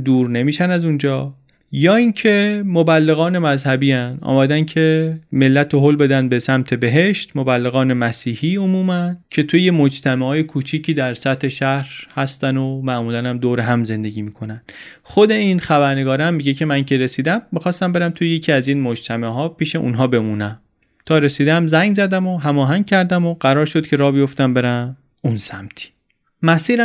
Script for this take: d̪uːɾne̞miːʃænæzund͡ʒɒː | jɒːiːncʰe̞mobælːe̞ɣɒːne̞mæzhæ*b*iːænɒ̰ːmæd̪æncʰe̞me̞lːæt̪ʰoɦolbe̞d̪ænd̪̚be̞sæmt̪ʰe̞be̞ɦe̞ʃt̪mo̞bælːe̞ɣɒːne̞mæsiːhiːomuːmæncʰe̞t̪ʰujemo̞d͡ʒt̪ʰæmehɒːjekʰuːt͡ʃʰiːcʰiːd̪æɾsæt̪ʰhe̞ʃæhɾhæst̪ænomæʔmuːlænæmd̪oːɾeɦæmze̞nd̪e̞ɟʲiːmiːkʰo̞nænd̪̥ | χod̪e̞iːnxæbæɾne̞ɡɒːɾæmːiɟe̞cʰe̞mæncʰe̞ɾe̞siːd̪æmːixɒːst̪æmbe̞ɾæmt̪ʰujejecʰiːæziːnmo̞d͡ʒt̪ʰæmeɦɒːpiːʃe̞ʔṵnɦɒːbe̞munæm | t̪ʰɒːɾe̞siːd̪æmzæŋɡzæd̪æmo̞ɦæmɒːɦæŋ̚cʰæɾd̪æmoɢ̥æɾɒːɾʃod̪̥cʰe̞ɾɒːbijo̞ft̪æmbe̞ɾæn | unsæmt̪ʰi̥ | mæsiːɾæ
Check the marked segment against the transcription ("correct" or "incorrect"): correct